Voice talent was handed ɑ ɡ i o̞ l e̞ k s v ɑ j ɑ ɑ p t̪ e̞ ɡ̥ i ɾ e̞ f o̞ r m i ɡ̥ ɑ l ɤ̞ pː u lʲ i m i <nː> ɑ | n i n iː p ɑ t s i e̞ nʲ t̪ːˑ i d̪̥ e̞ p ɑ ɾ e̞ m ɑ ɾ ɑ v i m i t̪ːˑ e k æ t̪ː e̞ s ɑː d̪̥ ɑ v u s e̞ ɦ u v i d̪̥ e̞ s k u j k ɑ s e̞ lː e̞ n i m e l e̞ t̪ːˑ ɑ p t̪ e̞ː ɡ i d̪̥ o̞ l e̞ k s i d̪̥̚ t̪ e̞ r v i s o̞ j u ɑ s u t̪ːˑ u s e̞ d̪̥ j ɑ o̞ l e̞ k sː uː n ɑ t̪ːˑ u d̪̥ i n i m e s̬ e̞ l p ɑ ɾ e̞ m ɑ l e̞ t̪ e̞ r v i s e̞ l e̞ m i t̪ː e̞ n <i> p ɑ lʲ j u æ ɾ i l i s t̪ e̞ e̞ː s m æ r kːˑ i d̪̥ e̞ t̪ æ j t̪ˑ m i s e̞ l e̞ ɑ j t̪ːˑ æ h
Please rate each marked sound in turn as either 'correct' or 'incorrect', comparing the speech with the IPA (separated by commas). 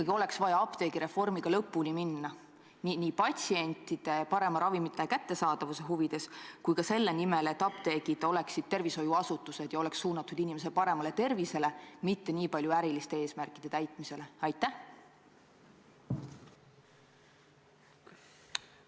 correct, incorrect